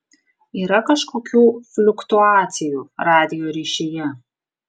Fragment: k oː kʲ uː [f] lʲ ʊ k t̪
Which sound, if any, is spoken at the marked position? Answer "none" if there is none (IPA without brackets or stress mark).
f